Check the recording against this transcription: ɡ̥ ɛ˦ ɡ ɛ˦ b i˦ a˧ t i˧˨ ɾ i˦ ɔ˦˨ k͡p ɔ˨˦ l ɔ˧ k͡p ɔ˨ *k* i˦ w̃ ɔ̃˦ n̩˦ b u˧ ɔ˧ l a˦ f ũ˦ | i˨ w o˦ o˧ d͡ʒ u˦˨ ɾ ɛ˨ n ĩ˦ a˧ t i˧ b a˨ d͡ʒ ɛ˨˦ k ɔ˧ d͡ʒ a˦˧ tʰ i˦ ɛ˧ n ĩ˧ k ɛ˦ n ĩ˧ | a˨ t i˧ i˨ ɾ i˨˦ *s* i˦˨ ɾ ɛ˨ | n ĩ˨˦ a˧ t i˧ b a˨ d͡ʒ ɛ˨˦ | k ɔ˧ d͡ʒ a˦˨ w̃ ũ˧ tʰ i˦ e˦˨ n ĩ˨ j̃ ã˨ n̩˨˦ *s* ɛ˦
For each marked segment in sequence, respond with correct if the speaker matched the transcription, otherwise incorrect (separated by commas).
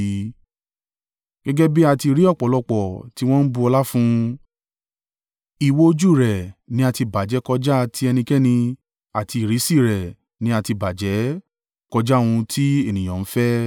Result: incorrect, correct, incorrect